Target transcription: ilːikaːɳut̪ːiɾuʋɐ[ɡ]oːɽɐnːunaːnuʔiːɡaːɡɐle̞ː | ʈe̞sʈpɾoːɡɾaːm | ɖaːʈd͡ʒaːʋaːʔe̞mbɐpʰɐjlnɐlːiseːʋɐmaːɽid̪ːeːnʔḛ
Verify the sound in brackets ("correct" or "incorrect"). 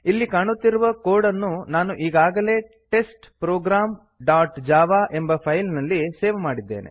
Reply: incorrect